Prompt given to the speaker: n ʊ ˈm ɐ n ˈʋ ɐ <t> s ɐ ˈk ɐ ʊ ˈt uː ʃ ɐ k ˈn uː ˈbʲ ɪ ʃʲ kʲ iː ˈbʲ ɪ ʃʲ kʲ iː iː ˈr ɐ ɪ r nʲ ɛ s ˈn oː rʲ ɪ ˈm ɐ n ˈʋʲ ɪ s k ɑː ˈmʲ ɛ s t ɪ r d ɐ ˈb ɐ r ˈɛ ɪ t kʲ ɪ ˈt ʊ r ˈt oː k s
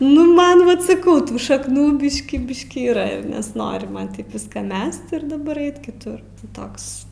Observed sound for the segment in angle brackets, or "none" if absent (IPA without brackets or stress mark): t